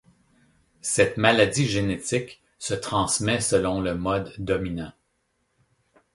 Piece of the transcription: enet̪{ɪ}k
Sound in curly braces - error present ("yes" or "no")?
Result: no